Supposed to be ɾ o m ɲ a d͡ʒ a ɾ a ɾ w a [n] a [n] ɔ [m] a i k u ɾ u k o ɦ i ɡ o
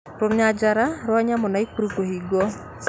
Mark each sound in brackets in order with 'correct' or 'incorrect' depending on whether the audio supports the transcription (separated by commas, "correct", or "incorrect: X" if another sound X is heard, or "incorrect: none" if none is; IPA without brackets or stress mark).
incorrect: ɲ, incorrect: m, incorrect: n